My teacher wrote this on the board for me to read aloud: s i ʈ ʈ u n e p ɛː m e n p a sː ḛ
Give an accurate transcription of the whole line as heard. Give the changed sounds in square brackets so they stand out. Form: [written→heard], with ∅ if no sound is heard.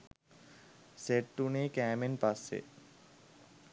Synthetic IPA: s [i→e] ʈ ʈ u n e [p→k] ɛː m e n p a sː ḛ